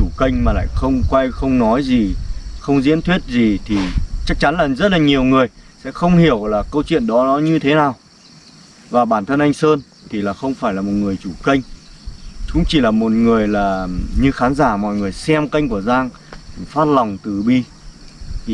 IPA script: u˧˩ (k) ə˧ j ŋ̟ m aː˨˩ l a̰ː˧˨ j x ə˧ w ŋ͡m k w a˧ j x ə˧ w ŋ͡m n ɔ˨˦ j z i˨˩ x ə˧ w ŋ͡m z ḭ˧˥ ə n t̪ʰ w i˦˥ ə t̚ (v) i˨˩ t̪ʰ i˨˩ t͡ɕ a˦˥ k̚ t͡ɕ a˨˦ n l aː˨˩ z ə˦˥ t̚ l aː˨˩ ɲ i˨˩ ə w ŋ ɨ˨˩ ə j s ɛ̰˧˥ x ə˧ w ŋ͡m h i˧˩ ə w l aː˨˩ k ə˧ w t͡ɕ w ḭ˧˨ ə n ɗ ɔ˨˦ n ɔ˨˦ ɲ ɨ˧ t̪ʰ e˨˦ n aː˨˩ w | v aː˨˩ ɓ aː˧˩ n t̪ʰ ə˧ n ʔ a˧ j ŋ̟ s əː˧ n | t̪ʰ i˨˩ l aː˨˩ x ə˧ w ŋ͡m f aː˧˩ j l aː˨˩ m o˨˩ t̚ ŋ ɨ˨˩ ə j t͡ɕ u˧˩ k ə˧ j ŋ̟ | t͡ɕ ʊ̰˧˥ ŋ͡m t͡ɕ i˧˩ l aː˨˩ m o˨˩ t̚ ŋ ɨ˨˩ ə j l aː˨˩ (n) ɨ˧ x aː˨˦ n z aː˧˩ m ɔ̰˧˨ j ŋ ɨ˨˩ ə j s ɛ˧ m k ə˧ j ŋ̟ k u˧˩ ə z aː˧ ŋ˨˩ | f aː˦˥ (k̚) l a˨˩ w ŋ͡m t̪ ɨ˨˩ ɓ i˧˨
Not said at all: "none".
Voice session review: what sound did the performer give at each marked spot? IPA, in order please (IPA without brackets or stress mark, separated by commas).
k, z, ɲ, t̚